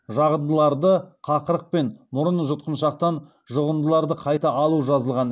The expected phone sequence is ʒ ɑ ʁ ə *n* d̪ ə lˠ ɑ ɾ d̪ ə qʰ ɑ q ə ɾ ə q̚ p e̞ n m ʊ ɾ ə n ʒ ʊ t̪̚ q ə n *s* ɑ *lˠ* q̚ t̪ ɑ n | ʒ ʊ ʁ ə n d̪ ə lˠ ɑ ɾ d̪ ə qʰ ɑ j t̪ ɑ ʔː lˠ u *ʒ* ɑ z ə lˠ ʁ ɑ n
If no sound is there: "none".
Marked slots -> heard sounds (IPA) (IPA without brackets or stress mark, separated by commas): n, ʃ, none, ʒ